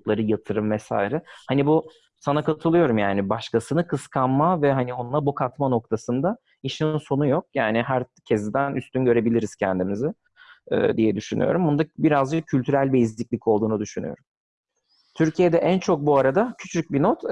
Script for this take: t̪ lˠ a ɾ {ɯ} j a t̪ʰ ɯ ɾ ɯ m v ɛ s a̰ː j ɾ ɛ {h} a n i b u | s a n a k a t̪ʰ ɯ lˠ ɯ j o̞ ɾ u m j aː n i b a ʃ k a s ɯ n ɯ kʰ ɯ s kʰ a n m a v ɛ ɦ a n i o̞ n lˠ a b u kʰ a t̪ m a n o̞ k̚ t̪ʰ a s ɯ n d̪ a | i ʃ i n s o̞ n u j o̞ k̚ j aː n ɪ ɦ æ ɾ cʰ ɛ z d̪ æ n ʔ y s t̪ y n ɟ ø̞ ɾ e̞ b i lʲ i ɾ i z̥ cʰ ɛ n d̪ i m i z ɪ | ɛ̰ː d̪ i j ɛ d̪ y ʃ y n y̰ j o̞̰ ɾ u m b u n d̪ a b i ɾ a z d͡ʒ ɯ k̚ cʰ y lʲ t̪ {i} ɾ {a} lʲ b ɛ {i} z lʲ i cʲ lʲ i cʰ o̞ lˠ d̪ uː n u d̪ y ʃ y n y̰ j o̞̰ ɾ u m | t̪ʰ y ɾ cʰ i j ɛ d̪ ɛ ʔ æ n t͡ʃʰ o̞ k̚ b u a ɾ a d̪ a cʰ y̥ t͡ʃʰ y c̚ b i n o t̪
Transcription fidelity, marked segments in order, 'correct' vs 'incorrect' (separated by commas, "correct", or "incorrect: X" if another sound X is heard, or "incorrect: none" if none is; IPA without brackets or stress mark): correct, correct, incorrect: y, incorrect: æ, correct